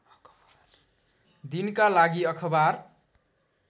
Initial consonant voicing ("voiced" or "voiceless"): voiced